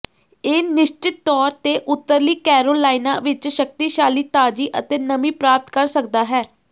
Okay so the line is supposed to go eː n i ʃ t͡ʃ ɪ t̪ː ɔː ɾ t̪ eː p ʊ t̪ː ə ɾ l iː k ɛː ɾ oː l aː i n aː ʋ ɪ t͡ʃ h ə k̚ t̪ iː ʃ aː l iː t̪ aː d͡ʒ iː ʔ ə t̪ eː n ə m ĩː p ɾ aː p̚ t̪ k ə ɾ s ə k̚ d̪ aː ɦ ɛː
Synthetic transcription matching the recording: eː n ɪ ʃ t͡ʃ ɪ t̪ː ɔː ɾ t̪ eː ʔ ʊ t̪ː ə ɾ l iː k ɛː ɾ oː l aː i n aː ʋ ɪ t͡ʃ ʃ ə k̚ t̪ iː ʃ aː l iː t̪ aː d͡ʒ iː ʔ ə t̪ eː n ə m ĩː p ɾ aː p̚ t̪ k ə ɾ s ə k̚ d̪ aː ɦ ɛː